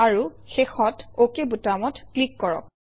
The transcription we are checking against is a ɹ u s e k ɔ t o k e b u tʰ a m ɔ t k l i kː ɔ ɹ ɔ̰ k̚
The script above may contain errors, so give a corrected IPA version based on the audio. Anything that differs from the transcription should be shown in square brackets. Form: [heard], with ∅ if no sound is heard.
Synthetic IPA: a ɹ u [x] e [x] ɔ t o k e b u [t] a m ɔ t k l i kː ɔ ɹ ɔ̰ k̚